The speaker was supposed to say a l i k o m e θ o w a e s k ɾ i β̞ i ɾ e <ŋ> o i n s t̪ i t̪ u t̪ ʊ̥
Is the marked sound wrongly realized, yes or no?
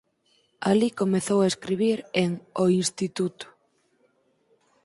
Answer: no